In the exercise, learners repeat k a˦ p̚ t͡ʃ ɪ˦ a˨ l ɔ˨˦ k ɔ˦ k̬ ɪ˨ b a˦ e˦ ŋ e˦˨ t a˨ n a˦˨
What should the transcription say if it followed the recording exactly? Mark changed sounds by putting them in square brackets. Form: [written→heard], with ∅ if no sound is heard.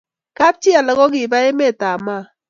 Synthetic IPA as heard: k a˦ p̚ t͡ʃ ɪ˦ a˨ l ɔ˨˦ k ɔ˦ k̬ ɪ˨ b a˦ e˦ [ŋ→m] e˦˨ t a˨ [n→m] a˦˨